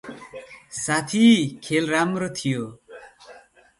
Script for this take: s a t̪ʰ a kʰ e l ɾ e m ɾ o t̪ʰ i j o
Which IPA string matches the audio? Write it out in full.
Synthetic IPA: s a t̪ʰ i kʰ e l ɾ a m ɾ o t̪ʰ i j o